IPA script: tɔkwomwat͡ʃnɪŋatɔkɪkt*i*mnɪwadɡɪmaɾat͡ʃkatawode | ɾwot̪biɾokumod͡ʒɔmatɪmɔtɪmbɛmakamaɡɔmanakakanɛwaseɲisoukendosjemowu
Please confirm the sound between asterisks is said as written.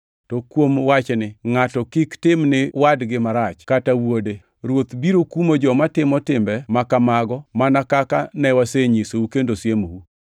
no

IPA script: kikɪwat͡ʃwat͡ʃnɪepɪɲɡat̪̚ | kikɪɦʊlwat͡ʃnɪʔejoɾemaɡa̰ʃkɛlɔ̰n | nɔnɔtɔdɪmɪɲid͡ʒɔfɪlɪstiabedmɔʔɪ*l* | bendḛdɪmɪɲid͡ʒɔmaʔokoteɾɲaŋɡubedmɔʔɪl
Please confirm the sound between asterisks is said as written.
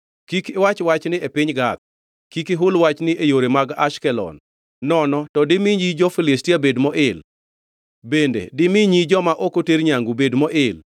yes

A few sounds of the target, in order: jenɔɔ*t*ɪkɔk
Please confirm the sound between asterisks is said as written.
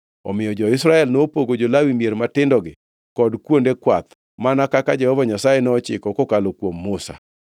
no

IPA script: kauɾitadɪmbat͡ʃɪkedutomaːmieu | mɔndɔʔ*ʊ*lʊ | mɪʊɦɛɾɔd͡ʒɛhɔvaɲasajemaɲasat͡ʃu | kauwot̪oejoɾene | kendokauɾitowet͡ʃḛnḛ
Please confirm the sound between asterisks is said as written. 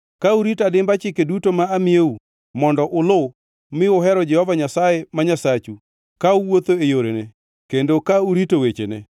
yes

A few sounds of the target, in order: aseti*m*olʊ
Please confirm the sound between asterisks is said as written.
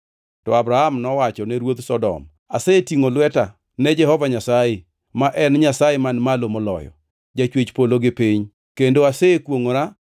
no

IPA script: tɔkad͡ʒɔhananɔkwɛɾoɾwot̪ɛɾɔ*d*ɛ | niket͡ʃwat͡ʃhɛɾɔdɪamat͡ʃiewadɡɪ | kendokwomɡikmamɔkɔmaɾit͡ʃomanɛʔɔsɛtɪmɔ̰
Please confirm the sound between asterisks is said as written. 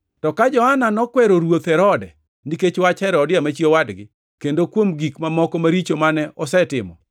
yes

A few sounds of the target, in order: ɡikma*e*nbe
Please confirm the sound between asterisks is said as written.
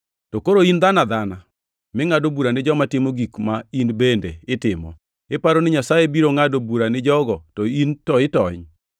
no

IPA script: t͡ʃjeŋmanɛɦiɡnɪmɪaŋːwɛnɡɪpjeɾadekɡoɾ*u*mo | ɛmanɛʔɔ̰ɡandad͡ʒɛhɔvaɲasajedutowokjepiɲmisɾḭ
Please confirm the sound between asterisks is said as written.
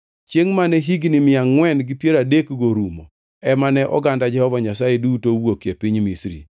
yes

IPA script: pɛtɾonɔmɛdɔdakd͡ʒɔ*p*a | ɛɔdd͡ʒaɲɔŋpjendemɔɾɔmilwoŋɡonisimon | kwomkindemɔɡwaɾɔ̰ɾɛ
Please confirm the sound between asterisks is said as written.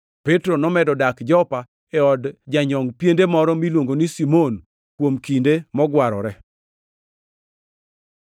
yes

